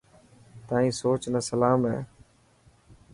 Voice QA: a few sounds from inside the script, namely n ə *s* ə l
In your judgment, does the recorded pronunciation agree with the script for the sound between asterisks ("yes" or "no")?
yes